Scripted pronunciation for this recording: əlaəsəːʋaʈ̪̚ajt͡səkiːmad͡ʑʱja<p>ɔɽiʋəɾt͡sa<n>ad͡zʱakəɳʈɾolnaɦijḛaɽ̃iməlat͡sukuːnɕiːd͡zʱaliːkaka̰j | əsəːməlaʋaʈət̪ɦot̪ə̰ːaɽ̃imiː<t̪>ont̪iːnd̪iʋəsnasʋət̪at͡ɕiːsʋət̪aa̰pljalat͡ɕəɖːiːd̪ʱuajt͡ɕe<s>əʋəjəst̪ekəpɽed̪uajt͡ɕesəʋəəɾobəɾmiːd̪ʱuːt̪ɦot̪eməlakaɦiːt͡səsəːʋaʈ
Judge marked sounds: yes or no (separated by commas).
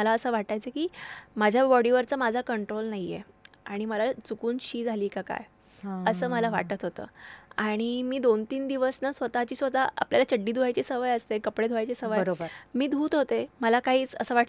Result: no, no, no, yes